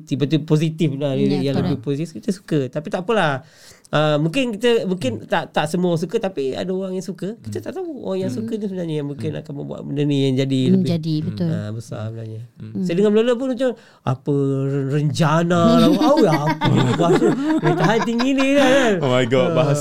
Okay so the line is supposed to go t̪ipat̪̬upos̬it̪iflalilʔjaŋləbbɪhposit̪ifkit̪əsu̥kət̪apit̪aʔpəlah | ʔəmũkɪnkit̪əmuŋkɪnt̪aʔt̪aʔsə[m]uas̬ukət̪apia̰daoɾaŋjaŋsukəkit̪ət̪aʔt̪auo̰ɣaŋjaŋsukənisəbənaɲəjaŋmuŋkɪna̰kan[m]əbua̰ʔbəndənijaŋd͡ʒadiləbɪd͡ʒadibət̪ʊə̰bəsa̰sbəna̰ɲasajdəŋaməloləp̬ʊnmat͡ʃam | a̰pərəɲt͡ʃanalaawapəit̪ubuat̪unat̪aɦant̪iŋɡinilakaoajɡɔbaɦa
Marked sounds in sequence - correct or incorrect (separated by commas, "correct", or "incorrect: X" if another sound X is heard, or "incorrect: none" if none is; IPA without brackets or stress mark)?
correct, correct